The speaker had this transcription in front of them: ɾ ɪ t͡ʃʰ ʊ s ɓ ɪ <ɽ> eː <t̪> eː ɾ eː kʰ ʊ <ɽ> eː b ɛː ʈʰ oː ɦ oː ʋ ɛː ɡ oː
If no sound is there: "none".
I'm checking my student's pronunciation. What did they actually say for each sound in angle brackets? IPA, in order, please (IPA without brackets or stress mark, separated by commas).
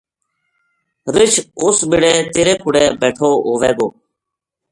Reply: ɽ, t̪, ɽ